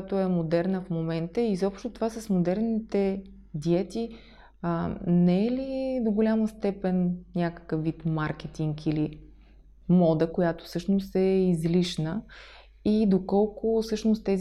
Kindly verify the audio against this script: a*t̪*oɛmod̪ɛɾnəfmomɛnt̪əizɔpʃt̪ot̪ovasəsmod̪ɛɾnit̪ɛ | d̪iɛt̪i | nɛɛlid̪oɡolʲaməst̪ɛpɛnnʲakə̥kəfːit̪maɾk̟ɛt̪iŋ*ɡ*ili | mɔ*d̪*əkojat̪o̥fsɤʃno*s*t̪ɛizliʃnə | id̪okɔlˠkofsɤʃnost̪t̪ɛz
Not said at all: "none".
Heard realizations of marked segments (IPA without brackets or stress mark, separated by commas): t̪, k, d̪, s